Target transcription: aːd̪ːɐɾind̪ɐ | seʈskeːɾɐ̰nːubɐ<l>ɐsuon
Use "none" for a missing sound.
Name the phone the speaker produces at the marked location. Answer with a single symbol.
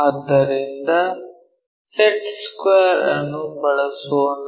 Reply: ɭ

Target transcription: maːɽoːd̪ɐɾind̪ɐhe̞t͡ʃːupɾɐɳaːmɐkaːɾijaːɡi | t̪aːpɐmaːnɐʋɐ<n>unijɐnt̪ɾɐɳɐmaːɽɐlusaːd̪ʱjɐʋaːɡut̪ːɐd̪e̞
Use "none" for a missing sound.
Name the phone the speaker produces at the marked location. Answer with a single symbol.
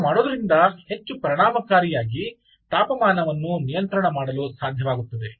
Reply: nː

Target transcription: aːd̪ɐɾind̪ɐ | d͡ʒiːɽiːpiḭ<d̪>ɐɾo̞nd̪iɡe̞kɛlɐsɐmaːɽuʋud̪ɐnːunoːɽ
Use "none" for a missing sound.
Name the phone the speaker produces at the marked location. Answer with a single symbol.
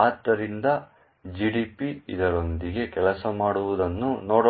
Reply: d̪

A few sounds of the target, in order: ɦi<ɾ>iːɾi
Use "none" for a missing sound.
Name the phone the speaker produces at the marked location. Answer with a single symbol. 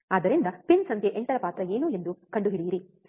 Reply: ɽ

